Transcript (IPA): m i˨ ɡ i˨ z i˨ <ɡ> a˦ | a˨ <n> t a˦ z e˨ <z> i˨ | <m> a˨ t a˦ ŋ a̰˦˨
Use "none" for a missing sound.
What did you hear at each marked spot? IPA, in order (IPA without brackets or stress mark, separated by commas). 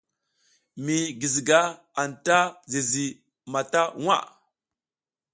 ɡ, n, z, m